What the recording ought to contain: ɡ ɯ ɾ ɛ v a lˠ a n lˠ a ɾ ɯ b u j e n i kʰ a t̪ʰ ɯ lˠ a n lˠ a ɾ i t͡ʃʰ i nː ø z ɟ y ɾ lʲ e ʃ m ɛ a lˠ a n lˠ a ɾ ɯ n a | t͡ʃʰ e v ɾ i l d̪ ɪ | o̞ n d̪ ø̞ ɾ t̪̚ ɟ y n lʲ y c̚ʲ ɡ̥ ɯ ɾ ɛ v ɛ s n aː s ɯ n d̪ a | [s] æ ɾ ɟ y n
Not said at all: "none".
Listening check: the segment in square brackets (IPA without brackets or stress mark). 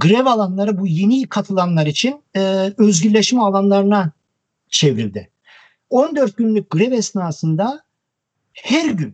h